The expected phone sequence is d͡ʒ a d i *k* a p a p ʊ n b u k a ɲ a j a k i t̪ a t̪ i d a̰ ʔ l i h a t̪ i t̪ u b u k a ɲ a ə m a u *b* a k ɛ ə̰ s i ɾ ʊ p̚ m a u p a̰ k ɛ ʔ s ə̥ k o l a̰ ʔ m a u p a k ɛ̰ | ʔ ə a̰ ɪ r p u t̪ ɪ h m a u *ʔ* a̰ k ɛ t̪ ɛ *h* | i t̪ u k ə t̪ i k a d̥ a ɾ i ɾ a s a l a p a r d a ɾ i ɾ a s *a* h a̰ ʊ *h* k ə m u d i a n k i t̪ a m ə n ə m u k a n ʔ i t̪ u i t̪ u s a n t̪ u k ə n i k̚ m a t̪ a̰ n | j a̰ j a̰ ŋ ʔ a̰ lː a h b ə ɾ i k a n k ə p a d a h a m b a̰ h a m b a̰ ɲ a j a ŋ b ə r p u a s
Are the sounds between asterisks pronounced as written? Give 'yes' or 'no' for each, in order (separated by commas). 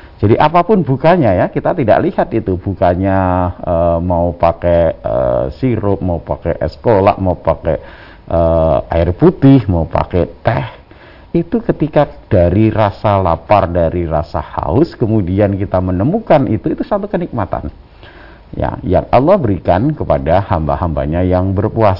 no, no, no, yes, yes, no